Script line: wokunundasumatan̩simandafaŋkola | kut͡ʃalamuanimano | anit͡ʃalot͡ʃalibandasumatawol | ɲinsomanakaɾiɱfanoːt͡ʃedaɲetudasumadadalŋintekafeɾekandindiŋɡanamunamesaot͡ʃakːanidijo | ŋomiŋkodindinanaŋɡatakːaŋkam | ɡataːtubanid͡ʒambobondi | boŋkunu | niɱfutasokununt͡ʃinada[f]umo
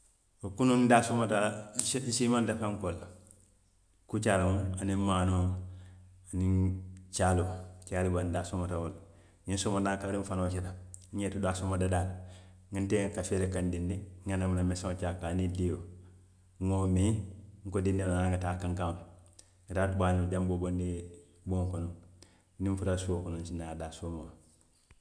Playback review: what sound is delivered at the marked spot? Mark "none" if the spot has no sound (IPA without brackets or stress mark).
s